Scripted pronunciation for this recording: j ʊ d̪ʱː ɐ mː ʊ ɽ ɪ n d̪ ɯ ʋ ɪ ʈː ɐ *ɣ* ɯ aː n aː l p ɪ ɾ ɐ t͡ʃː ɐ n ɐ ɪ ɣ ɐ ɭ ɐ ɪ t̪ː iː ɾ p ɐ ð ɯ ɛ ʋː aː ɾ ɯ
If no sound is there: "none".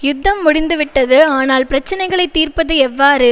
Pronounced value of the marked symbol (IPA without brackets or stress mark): ð